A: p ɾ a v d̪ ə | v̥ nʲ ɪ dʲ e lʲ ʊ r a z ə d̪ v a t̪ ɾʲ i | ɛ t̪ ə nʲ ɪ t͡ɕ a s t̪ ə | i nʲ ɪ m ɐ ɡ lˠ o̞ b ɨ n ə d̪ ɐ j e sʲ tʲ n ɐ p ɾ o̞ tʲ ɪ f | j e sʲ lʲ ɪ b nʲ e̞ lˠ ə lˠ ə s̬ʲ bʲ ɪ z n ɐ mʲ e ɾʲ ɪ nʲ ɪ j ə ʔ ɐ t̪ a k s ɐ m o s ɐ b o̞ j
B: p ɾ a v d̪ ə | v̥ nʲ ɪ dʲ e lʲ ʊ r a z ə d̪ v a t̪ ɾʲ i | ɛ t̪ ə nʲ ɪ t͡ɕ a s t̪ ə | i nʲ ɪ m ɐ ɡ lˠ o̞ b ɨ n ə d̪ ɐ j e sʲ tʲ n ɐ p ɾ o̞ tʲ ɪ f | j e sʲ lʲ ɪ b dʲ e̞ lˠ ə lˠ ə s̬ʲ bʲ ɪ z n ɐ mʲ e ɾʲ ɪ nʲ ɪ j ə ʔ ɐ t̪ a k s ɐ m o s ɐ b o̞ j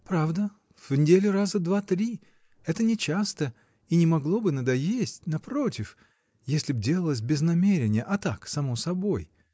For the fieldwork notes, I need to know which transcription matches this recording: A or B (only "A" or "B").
B